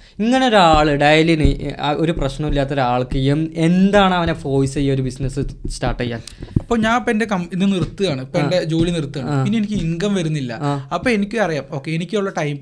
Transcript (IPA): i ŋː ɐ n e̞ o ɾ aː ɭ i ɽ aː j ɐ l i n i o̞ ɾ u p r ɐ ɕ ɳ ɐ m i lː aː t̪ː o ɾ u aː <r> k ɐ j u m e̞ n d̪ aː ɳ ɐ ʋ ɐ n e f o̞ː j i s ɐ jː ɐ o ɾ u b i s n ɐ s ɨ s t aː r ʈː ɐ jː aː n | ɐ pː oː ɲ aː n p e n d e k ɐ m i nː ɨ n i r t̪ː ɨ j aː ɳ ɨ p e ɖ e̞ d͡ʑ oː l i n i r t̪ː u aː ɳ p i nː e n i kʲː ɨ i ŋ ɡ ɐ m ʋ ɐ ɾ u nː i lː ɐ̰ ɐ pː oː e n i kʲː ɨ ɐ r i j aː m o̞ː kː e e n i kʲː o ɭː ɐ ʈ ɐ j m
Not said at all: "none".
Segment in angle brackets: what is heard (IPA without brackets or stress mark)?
ɭ